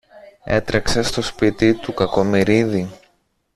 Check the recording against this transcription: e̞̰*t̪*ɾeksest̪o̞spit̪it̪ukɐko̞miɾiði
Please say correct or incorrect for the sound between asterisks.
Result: correct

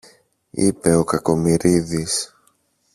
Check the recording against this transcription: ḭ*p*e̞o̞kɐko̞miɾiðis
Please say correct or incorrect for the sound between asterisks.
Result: correct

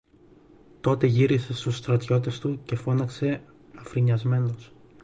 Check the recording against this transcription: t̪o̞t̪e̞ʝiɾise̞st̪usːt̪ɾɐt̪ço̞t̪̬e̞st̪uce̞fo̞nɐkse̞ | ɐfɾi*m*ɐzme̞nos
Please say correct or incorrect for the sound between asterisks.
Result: incorrect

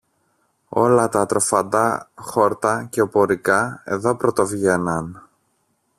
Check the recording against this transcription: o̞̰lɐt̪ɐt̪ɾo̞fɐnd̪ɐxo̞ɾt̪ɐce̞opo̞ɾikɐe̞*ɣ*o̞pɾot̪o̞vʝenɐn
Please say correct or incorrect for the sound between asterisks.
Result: incorrect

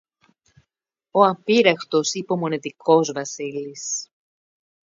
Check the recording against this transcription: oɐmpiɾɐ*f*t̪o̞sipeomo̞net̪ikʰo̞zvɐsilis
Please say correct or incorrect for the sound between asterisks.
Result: incorrect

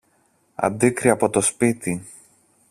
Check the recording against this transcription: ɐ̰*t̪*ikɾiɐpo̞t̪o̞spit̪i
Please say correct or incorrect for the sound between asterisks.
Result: incorrect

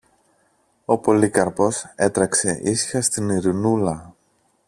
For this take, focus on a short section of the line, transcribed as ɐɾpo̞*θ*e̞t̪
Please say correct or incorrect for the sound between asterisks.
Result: incorrect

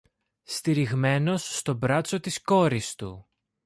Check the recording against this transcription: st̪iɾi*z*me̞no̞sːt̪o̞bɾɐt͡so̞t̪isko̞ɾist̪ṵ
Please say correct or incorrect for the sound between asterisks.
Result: incorrect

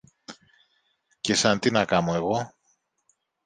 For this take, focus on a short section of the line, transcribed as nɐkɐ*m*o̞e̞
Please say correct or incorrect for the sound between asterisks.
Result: correct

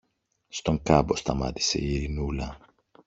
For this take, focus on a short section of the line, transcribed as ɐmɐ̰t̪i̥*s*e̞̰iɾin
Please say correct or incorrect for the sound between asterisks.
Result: correct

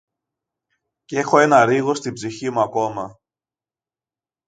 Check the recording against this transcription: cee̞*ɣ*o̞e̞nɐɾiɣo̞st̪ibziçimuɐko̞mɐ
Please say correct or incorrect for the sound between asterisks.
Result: incorrect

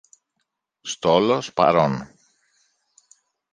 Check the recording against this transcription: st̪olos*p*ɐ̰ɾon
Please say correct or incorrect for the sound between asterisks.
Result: correct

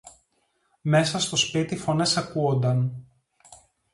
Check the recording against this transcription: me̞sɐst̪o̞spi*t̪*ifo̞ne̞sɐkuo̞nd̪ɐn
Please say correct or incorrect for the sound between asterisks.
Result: correct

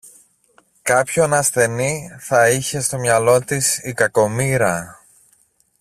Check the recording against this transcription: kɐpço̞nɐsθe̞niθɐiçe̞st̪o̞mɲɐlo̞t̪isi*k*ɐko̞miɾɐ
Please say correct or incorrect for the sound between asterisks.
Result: correct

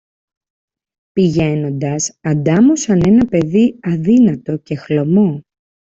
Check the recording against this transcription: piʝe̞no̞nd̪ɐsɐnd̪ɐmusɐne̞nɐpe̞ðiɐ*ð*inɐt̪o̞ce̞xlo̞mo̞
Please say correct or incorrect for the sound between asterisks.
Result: correct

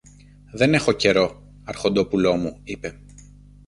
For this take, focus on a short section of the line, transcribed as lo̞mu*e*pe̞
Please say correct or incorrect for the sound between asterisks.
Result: incorrect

